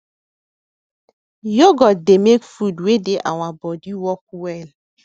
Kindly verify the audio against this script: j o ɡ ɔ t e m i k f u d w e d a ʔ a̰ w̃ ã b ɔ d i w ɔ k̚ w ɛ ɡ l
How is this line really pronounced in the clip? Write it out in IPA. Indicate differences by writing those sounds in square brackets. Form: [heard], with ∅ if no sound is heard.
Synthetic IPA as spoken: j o ɡ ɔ [d] e m [e] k f u d w e d [e] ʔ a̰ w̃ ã b ɔ d i w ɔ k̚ w ɛ [∅] l